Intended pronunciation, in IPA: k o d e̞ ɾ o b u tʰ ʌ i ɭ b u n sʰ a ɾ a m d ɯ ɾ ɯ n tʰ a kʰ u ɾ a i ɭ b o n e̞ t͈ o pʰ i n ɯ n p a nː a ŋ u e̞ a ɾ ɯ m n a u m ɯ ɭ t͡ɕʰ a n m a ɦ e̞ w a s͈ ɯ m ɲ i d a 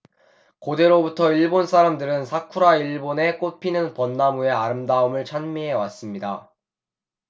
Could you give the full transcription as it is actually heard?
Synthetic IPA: k o d e̞ ɾ o b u tʰ ʌ i ɭ b o n sʰ a ɾ a m d ɯ ɾ ɯ n sʰ a kʰ u ɾ a i ɭ b o n e̞ k͈ o pʰ i n ɯ n p ʌ nː a m u e̞ a ɾ ɯ m d a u m ɯ ɭ t͡ɕʰ a n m i ɦ e̞ w a s͈ ɯ m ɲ i d a